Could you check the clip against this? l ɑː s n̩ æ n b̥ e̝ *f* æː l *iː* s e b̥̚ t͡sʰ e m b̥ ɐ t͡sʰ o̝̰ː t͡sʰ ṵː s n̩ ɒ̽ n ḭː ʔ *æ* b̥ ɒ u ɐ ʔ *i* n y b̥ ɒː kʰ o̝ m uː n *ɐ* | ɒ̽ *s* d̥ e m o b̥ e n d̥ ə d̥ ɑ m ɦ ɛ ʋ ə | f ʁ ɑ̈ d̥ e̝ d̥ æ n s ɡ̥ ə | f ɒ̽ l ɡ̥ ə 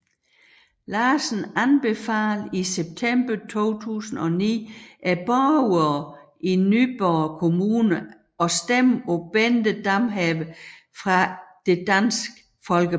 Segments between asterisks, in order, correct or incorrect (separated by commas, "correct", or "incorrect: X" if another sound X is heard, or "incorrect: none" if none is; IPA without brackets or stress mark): correct, incorrect: i, correct, correct, incorrect: ə, correct